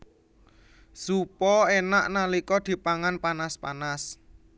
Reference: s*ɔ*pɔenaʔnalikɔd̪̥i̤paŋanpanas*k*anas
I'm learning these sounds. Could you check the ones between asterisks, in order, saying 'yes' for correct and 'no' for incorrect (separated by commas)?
no, no